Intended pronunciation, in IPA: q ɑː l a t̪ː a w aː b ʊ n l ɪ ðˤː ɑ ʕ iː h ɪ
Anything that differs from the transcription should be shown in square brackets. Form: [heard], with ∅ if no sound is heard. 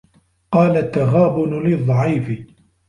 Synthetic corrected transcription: q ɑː l a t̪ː a [ɣ] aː b ʊ n l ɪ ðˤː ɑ ʕ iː [f] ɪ